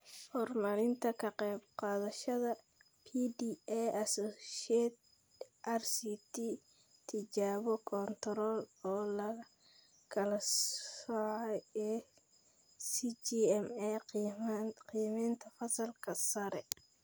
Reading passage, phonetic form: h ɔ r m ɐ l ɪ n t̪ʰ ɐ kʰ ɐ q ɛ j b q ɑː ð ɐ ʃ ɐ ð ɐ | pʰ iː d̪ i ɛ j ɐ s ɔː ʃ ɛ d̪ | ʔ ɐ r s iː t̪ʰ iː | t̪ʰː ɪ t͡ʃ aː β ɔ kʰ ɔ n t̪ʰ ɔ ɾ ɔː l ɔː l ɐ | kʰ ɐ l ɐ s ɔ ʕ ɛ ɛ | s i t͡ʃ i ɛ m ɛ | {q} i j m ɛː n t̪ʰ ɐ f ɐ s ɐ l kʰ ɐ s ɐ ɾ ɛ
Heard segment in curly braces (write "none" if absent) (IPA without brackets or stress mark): q